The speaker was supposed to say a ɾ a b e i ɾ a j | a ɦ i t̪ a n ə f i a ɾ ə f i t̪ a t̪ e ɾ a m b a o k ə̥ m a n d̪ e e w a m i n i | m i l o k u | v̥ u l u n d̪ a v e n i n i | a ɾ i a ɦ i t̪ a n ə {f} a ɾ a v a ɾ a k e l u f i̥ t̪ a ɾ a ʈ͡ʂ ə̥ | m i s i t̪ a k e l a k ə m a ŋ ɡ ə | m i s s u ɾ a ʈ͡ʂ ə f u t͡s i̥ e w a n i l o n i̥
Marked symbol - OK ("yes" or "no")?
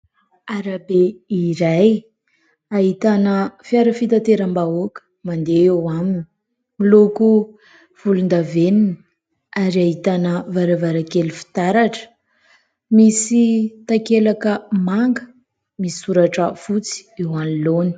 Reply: no